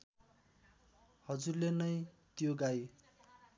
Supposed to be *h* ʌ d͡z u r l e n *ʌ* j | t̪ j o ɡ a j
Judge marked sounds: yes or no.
yes, yes

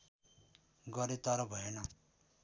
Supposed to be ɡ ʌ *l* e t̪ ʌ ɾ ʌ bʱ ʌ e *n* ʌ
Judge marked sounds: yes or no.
no, yes

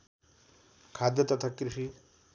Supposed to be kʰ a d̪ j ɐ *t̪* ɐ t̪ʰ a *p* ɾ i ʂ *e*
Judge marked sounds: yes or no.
yes, no, no

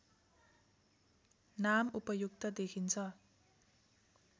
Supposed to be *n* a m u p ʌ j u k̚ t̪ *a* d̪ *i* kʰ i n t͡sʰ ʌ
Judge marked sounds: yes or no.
yes, no, no

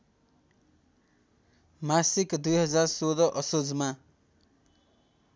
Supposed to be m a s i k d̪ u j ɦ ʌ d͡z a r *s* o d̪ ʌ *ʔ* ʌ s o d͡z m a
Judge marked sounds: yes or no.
yes, yes

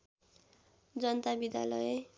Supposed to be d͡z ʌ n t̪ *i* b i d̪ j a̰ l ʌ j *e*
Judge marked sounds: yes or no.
no, yes

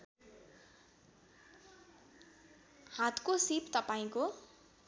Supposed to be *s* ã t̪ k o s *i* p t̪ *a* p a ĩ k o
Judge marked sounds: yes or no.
no, yes, no

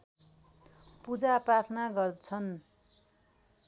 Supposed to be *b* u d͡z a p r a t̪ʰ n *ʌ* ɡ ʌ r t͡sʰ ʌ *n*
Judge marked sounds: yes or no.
no, no, yes

